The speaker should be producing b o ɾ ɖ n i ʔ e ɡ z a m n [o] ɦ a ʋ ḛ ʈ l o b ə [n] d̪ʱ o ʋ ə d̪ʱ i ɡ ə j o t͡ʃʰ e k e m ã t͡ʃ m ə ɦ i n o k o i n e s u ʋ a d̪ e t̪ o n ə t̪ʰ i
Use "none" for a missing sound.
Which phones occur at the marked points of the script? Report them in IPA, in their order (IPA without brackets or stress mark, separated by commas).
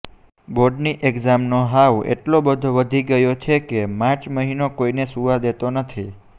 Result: o, none